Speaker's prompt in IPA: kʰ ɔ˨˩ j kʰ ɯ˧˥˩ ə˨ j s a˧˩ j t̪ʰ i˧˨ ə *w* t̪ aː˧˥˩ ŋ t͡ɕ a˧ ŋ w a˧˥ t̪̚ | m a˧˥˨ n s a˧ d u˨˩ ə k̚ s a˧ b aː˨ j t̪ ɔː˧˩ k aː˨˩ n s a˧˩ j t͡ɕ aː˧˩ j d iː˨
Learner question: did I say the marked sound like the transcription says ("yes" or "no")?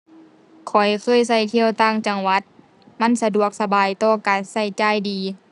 yes